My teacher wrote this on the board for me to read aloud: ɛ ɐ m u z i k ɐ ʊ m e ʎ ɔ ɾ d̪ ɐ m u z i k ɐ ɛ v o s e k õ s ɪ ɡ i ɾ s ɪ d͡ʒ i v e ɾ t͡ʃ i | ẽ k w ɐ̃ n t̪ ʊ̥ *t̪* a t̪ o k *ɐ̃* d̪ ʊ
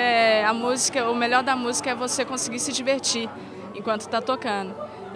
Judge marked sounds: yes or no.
yes, yes

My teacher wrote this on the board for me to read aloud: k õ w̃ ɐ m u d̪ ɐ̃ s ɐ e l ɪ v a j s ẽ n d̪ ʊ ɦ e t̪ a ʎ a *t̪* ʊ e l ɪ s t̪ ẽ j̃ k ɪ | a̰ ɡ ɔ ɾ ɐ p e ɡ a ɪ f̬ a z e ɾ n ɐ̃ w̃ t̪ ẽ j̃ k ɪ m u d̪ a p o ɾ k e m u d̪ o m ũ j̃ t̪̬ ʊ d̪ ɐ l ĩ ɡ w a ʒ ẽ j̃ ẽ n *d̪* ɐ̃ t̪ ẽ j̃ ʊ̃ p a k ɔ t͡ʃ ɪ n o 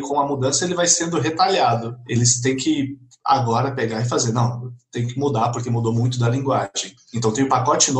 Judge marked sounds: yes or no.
no, no

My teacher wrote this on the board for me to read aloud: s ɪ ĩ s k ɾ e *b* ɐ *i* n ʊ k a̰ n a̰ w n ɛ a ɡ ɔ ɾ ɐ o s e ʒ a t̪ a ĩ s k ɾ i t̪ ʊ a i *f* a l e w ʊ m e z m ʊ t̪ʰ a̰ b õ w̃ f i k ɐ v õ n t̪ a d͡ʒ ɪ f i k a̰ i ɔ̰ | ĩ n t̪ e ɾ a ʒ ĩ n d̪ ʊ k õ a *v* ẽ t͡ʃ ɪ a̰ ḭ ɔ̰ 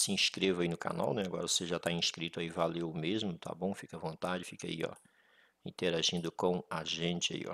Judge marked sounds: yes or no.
no, yes, no, no

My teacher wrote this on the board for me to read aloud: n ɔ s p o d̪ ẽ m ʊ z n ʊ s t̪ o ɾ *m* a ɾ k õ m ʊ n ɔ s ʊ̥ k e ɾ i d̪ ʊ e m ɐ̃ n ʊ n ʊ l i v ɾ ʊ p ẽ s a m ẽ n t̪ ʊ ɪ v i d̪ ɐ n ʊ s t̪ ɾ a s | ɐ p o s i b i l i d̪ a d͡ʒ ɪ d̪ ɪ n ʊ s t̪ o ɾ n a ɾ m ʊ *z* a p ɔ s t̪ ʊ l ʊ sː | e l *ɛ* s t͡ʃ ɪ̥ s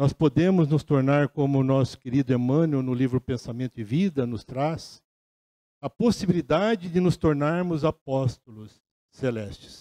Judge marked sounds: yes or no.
no, yes, yes

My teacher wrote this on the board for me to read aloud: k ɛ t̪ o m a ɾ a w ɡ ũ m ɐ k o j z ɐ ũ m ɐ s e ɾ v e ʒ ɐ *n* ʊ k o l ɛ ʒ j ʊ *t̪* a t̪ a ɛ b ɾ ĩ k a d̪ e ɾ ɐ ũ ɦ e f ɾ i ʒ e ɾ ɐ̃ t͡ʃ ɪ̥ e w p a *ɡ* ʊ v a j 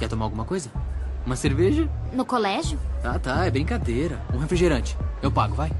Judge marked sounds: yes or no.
yes, yes, yes

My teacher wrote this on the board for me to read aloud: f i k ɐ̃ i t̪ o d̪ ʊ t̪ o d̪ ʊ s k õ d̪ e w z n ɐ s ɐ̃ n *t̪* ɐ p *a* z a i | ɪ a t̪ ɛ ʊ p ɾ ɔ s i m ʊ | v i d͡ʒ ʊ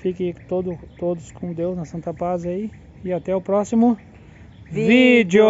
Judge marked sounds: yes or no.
yes, yes

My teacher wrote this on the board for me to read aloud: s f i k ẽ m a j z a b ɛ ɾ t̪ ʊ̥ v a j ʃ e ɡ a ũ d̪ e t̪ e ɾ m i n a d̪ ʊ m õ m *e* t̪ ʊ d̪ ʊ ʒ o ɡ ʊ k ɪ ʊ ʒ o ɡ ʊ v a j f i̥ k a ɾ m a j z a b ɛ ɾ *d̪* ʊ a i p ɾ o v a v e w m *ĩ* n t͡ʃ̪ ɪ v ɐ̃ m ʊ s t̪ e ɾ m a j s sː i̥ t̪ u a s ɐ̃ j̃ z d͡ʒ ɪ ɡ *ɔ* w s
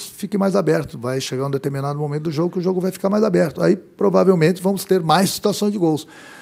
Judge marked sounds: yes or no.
no, no, no, no

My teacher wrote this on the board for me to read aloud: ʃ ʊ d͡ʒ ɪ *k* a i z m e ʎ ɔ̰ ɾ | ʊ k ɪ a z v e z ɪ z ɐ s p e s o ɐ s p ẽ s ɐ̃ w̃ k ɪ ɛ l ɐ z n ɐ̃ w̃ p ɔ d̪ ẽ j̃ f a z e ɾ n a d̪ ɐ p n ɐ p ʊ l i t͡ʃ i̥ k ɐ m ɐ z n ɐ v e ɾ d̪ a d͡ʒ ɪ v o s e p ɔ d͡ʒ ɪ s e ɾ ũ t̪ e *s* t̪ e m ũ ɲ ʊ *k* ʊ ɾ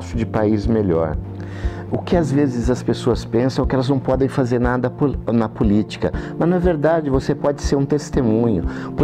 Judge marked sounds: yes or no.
no, yes, no

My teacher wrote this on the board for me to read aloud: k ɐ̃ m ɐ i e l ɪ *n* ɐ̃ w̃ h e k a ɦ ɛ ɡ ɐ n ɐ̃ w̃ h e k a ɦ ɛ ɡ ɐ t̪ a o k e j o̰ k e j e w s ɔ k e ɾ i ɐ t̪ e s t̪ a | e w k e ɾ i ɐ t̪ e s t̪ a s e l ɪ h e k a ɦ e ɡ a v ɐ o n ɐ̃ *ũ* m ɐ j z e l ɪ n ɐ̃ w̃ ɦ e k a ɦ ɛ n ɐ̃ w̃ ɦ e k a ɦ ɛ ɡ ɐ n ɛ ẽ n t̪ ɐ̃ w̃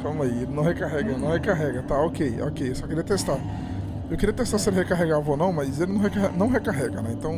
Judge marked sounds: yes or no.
yes, no

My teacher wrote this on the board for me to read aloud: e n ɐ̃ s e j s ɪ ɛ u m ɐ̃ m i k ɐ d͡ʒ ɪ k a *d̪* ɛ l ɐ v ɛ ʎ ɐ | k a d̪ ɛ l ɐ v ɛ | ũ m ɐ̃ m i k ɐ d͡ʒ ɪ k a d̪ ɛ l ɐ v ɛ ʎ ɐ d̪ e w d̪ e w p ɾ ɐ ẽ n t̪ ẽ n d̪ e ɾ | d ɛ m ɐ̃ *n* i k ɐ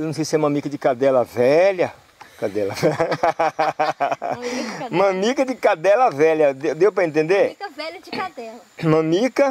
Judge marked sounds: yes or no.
yes, no

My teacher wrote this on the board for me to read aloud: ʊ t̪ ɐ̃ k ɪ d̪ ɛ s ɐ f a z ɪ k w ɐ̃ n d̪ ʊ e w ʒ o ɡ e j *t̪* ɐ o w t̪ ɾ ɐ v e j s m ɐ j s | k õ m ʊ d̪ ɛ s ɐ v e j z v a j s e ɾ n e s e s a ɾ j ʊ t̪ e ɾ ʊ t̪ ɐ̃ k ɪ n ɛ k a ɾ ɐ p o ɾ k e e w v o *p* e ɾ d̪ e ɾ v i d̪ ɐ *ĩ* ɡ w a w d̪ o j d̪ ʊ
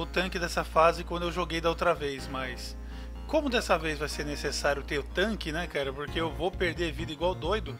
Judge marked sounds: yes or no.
no, yes, no

